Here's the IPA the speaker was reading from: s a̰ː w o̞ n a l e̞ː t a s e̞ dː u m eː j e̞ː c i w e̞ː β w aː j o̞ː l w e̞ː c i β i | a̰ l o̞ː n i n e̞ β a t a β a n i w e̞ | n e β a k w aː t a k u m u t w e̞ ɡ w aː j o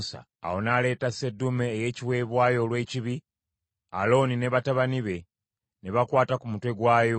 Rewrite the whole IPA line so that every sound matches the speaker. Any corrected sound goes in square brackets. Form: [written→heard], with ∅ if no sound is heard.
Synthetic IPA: s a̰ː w o̞ n a l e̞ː t a s e̞ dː u m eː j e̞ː c i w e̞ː β w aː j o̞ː l w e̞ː c i β i | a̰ l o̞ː n i n e̞ β a t a β a n i [w→β] e̞ | n e β a k w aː t a k u m u t w e̞ ɡ w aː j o